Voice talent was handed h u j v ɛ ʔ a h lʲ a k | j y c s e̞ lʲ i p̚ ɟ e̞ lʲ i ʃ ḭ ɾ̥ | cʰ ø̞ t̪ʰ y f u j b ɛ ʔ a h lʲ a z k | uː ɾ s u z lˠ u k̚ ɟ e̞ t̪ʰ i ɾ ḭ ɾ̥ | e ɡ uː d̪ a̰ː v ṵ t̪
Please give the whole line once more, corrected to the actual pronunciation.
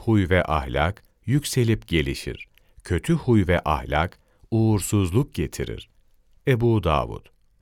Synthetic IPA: h u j v ɛ ʔ a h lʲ a k | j y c s e̞ lʲ i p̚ ɟ e̞ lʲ i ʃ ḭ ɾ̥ | cʰ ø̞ t̪ʰ y h u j v ɛ ʔ a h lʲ a k | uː ɾ s u z lˠ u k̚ ɟ e̞ t̪ʰ i ɾ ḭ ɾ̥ | e b uː d̪ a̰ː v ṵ t̪